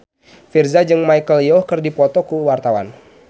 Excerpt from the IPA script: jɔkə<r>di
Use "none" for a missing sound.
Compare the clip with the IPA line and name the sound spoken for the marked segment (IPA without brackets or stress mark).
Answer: r